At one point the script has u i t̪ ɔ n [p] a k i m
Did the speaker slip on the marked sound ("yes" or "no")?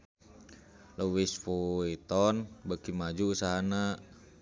yes